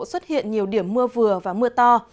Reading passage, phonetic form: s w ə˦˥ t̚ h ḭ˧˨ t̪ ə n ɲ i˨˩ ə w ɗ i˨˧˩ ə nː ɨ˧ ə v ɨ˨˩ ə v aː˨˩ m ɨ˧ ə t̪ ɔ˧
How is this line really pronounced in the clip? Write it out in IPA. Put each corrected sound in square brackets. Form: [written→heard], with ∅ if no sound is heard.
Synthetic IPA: s w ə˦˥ t̚ h ḭ˧˨ [t̪→∅] ə n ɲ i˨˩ ə w ɗ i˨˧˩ ə [nː→mː] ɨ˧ ə v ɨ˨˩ ə v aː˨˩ m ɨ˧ ə t̪ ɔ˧